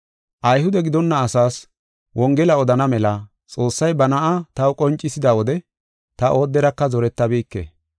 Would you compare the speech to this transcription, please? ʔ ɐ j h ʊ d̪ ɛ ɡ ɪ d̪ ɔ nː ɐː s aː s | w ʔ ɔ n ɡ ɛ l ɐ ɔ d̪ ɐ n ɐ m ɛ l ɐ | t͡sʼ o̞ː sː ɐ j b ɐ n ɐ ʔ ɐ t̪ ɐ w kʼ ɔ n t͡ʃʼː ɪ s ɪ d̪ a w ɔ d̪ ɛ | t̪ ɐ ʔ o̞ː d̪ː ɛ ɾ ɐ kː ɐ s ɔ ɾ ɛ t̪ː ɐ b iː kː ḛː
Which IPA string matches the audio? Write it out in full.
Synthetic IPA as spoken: ʔ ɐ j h ʊ d̪ ɛ ɡ ɪ d̪ ɔ nː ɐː s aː s | w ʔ ɔ ŋ ɡ ɛ l ɐ ɔ d̪ ɐ n ɐ m ɛ l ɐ | t͡sʼ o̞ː sː ɐ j b ɐ n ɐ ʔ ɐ t̪ ɐ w kʼ ɔ n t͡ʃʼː ɪ s ɪ d̪ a w ɔ d̪ ɛ | t̪ ɐ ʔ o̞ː d̪ː ɛ ɾ ɐ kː ɐ z ɔ ɾ ɛ t̪ː ɐ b iː kː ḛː